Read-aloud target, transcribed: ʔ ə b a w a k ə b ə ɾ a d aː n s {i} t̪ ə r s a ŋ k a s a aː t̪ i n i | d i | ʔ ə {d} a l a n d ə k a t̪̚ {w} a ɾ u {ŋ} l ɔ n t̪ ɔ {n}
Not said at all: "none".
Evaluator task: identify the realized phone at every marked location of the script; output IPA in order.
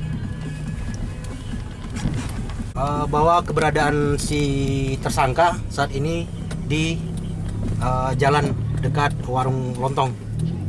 i, d͡ʒ, w, ŋ, ŋ

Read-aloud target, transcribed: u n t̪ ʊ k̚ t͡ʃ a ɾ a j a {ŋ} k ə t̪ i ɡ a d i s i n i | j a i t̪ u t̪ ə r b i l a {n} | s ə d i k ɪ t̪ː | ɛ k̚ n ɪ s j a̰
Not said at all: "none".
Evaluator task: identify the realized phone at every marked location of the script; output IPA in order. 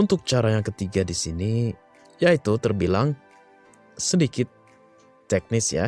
ŋ, ŋ

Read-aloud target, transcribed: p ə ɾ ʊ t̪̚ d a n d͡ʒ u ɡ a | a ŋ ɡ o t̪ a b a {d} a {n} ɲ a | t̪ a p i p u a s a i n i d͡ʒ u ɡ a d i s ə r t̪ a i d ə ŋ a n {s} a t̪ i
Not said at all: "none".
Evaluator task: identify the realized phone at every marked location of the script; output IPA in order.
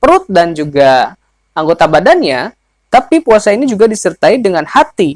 d, n, h

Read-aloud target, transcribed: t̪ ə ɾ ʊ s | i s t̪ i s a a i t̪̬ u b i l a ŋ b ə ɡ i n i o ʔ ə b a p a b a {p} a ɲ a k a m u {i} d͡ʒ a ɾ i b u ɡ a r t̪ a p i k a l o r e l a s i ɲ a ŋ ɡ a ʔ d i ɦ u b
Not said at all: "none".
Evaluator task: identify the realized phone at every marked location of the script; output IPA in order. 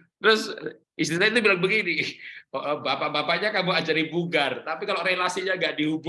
p, a

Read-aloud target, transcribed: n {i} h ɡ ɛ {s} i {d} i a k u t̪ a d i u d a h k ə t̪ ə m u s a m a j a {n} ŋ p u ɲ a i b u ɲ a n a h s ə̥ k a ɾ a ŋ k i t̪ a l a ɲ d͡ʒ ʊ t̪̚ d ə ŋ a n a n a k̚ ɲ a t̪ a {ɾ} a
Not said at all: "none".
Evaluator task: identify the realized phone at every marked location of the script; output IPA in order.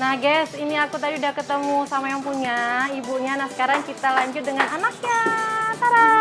a, s, n, none, ɾ

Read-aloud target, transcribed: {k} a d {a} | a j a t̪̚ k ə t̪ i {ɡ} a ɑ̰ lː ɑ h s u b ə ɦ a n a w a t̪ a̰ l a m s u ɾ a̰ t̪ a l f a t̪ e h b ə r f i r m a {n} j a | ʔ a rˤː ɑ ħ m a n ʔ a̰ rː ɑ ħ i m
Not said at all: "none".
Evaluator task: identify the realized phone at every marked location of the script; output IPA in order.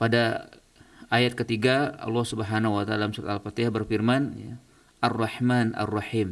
p, a, ɡ, n

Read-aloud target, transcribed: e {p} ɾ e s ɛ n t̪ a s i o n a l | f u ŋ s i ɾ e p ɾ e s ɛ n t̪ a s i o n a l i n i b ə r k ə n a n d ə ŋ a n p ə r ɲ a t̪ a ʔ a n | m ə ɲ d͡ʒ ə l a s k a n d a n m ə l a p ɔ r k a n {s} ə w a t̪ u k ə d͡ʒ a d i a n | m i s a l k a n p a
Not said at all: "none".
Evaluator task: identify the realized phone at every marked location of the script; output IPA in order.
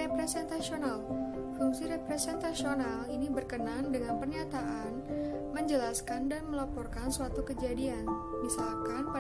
p, s

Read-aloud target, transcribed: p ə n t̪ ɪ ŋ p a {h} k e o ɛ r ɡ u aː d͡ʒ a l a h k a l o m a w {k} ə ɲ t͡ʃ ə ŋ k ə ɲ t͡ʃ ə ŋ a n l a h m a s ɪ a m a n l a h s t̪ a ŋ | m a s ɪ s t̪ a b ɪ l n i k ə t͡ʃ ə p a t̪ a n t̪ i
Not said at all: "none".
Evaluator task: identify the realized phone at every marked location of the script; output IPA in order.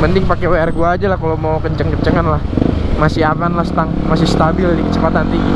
none, k

